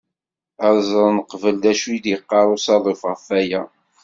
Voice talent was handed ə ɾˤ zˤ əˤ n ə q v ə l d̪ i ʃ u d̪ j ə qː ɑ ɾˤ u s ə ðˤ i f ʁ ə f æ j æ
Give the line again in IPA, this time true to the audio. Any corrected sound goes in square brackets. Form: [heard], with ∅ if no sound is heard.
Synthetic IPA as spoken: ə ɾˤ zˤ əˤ n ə q v ə l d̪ [æ] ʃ u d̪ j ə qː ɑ ɾˤ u s [ɑ] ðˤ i f ʁ ə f æ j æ